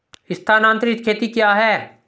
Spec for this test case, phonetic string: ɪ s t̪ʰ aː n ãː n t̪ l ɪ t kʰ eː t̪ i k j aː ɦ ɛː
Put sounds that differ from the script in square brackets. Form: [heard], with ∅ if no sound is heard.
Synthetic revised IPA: ɪ s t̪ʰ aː n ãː n t̪ [ɾ] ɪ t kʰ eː t̪ i k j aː ɦ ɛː